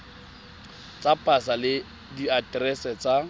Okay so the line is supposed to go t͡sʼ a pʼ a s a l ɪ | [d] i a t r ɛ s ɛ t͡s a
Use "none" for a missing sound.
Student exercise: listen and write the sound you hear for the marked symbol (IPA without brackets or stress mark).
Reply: d